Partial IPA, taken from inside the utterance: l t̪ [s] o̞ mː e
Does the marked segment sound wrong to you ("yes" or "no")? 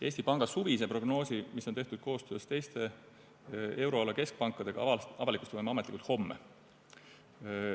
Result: yes